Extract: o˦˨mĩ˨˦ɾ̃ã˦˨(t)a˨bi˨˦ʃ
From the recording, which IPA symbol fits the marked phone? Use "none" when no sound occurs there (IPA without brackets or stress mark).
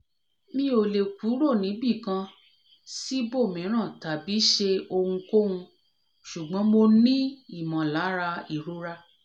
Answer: t